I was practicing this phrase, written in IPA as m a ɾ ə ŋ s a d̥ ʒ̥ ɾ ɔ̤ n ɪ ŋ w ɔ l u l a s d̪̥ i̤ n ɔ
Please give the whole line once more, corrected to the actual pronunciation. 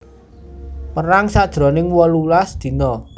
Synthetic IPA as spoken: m ə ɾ a ŋ s a d̥ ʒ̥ ɾ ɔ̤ n ɪ ŋ w ɔ l u l a s d̪̥ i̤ n ɔ